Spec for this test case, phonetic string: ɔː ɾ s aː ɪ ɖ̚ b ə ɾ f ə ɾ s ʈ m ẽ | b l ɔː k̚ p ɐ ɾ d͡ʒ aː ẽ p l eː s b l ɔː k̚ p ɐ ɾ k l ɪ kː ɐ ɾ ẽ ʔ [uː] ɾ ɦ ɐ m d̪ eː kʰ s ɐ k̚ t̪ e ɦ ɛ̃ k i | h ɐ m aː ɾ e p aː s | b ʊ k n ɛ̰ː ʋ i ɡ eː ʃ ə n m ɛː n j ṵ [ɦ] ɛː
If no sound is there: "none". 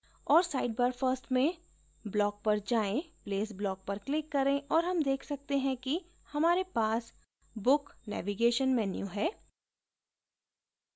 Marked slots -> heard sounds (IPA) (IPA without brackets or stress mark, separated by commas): ɔː, ɦ